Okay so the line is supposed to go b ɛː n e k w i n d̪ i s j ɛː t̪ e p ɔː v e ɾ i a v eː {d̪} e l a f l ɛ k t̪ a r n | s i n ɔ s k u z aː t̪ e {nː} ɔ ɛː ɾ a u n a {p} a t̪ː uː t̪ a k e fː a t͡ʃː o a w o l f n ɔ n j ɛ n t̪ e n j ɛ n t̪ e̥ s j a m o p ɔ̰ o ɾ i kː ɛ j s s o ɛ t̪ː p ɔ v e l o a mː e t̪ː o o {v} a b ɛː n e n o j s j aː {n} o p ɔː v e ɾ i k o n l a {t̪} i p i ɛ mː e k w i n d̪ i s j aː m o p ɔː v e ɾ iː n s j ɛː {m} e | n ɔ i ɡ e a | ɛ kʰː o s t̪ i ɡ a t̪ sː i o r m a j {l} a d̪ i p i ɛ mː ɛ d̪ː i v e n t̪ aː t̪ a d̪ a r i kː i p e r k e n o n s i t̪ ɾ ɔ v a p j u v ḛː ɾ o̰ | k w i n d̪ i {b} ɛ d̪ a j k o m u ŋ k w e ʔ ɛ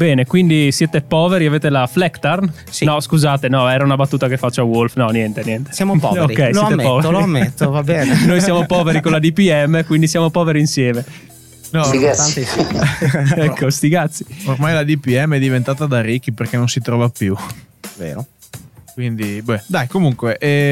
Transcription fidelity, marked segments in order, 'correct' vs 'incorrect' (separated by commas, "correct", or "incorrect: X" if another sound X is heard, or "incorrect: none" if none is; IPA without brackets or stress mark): incorrect: t̪, incorrect: n, incorrect: b, correct, incorrect: m, incorrect: d̪, correct, correct, correct